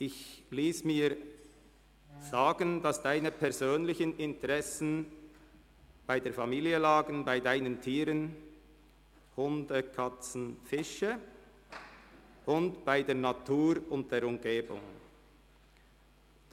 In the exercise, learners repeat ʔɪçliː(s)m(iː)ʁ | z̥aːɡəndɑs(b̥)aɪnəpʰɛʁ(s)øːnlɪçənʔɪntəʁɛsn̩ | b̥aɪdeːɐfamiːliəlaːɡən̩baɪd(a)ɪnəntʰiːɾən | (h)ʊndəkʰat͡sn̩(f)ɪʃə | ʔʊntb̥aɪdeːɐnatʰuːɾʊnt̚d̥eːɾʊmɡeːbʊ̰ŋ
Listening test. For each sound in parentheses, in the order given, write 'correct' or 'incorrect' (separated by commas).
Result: correct, correct, incorrect, incorrect, correct, correct, correct